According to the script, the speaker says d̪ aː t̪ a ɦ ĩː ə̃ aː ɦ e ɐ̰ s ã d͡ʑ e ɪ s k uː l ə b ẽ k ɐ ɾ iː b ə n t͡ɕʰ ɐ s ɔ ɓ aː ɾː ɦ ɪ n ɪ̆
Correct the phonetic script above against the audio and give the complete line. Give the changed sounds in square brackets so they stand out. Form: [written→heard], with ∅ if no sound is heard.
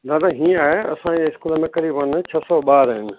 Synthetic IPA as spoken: d̪ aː [t̪→d̪] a ɦ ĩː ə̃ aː ɦ e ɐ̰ s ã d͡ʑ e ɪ s k uː l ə [b→m] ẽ k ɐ ɾ iː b ə n t͡ɕʰ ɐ s ɔ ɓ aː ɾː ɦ ɪ n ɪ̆